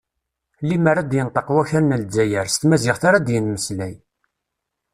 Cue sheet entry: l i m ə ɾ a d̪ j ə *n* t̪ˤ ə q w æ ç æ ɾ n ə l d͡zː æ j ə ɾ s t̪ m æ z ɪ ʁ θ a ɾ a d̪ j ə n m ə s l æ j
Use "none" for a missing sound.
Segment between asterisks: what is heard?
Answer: n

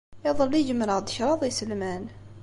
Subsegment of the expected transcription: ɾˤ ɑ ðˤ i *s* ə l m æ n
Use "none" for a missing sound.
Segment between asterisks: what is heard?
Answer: s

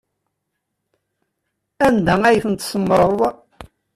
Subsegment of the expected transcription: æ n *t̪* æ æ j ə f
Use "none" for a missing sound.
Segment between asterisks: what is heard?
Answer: d̪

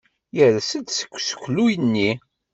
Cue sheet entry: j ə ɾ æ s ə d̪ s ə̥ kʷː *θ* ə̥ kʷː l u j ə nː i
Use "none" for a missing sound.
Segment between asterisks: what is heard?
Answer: s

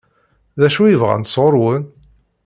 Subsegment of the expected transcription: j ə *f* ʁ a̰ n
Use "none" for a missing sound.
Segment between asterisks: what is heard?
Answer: v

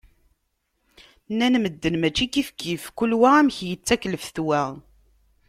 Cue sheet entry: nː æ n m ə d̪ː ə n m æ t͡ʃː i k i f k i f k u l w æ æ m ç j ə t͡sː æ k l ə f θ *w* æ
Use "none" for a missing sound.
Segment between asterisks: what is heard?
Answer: w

